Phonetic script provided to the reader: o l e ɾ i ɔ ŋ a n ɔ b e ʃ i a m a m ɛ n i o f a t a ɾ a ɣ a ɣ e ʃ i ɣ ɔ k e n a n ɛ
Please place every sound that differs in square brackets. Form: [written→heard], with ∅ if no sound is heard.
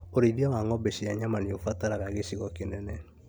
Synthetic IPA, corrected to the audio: o [l→ɾ] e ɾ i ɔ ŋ a [n→ŋ] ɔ b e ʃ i a [m→ɲ] a m [ɛ→a] n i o f a t a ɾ a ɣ a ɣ e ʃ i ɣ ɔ k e n [a→ɛ] n ɛ